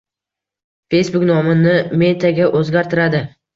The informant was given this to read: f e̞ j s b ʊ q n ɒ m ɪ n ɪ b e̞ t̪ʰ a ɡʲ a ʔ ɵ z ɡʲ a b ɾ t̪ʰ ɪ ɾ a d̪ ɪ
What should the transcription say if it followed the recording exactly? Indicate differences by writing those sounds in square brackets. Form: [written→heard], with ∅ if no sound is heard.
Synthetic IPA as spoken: f e̞ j s b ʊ [q→k] n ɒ m ɪ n ɪ [b→m] e̞ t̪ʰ a ɡʲ a ʔ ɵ z ɡʲ a [b→∅] ɾ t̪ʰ ɪ ɾ a d̪ ɪ